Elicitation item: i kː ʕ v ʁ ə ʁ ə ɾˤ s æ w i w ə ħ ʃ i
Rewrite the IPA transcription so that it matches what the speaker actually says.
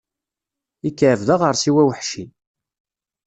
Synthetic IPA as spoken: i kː ʕ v ð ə ʁ ə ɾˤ s i w æ w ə ħ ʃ i